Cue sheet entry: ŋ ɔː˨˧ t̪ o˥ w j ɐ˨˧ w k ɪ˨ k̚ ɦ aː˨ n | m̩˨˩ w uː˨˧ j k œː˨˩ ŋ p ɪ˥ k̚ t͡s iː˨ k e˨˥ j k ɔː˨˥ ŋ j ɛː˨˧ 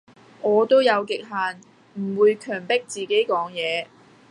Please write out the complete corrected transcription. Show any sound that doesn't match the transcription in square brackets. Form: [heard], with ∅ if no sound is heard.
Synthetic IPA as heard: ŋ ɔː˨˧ t̪ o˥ w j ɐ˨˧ w k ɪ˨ k̚ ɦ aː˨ n | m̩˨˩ w uː˨˧ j [kʰ] œː˨˩ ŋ p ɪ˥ k̚ t͡s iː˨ k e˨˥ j k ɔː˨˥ ŋ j ɛː˨˧